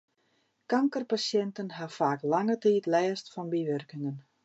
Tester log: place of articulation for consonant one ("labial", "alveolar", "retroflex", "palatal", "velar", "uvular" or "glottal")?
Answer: velar